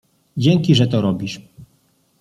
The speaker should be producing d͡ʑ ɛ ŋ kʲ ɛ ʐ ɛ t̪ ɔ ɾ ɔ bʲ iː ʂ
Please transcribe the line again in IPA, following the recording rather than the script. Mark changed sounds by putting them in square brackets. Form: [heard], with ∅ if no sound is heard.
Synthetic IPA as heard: d͡ʑ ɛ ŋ kʲ [i] ʐ ɛ t̪ ɔ ɾ ɔ bʲ [i] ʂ